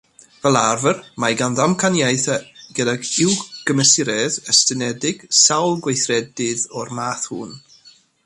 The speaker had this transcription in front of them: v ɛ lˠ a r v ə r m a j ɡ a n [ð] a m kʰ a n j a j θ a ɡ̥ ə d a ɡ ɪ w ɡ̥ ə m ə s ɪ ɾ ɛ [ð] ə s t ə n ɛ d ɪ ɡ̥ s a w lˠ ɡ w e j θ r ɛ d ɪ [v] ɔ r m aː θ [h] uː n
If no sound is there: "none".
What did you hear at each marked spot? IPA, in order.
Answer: ð, ð, ð, h

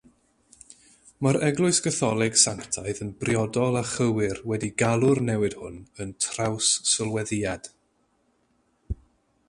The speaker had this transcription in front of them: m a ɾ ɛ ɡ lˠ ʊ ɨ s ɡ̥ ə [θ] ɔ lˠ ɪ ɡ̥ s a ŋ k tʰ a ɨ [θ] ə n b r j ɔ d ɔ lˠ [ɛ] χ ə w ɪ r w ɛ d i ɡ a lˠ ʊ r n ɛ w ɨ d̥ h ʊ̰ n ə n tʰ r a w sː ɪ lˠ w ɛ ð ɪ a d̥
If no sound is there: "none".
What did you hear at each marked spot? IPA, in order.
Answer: θ, ð, a

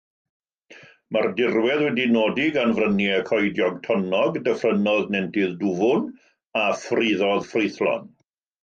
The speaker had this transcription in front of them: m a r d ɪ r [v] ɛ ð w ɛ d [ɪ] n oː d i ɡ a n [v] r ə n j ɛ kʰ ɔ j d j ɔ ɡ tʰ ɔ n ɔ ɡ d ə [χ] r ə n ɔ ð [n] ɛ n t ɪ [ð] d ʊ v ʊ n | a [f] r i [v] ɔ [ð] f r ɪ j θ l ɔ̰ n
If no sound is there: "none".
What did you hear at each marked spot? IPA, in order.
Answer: w, i, v, f, n, ð, f, ð, ð

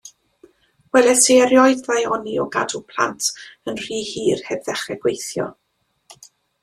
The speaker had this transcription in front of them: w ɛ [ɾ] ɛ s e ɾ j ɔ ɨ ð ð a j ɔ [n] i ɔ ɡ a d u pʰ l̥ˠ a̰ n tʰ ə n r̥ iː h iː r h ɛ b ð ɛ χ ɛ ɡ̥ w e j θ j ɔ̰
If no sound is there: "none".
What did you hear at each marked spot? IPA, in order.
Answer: l, n

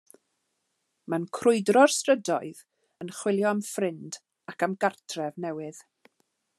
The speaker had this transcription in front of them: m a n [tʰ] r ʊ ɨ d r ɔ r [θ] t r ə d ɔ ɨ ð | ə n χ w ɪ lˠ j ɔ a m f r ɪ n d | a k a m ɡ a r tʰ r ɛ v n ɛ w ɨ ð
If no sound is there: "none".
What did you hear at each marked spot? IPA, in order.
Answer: kʰ, s

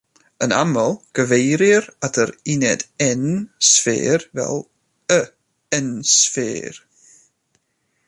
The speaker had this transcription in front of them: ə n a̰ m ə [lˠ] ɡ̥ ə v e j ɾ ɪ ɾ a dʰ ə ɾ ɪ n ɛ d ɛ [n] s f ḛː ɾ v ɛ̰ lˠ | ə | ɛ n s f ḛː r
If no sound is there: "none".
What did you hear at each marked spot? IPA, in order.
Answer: lˠ, n

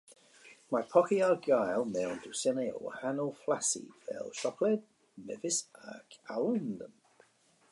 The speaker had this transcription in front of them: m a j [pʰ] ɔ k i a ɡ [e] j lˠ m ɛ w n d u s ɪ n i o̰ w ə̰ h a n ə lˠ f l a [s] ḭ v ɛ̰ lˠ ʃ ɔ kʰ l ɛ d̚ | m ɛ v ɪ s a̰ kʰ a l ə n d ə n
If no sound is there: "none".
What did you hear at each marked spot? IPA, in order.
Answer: pʰ, a, s

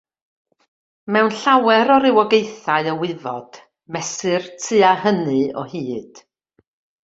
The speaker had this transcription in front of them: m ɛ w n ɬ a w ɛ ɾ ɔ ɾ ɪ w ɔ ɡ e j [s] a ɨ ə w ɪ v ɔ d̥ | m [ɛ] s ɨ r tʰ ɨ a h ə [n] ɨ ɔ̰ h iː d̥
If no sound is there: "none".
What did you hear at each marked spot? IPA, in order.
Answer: θ, ɛ, n

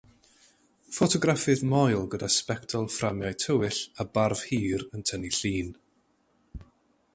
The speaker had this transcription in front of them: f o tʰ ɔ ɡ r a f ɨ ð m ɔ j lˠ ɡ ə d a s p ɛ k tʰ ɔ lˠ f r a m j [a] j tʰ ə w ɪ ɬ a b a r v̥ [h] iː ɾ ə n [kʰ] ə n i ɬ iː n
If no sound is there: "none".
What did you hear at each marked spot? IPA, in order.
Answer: a, h, tʰ

